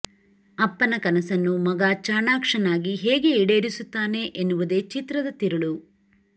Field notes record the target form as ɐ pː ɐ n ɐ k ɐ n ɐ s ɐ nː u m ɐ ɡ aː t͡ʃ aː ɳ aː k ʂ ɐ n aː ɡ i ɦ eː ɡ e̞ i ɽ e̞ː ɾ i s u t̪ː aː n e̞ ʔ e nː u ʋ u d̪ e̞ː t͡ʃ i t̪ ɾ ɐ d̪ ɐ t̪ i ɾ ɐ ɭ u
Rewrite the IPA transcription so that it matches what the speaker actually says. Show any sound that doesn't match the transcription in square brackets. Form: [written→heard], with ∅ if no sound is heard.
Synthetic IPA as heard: ɐ pː ɐ n ɐ k ɐ n ɐ s ɐ nː u m ɐ ɡ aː t͡ʃ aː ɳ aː k ʂ ɐ n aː ɡ i ɦ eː ɡ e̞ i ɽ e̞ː ɾ i s u t̪ː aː n e̞ ʔ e nː u ʋ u d̪ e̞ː t͡ʃ i t̪ ɾ ɐ d̪ ɐ t̪ i ɾ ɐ ɭ u